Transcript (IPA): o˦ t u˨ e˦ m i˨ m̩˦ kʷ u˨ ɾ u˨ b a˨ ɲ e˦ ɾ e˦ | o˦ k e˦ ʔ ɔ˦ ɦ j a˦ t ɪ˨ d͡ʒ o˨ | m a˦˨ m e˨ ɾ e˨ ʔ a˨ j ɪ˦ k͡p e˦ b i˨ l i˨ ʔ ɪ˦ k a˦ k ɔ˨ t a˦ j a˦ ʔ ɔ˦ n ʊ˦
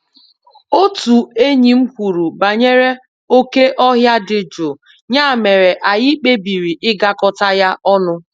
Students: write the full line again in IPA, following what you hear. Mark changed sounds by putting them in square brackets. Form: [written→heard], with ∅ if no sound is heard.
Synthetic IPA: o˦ t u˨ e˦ [m→ɲ] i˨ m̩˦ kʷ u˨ ɾ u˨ b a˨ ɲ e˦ ɾ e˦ | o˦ k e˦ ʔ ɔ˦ ɦ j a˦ [t→d] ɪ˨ d͡ʒ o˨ | [m→ɲ] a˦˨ m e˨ ɾ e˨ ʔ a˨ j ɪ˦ k͡p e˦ b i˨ [l→ɾ] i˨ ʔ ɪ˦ [k→ɡ] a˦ k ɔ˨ t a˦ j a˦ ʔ ɔ˦ n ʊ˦